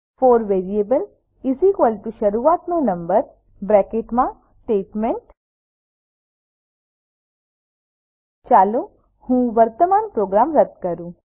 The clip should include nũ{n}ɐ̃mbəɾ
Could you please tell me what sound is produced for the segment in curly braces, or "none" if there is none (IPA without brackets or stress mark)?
n